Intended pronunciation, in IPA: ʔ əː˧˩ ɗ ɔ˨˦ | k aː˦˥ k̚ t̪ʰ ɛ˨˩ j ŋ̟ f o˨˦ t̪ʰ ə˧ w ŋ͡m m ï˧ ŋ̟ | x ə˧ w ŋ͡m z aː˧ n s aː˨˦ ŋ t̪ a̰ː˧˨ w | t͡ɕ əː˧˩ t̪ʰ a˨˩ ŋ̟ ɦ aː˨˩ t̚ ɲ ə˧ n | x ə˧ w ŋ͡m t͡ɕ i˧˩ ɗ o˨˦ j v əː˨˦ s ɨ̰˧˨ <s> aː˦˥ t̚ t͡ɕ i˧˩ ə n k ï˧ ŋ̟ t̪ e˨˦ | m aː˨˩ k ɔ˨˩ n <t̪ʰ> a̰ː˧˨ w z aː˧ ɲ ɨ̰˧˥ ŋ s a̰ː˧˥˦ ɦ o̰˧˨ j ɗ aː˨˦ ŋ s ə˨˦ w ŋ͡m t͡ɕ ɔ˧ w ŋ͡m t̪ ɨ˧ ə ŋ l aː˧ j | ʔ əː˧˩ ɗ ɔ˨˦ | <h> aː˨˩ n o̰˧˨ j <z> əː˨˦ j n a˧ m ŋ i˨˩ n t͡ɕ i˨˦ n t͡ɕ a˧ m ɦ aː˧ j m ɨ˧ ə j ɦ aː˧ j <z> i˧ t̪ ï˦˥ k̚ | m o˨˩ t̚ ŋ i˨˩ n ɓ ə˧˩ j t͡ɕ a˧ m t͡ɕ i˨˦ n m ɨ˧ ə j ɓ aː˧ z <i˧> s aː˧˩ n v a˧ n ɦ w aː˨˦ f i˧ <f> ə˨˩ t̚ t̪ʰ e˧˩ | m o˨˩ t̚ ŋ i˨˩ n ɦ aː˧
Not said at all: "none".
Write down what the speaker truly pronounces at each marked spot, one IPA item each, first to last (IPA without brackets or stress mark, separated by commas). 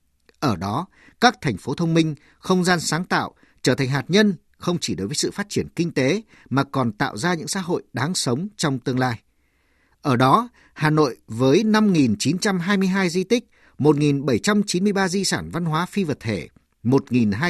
f, t̪, h, v, z, i˧, v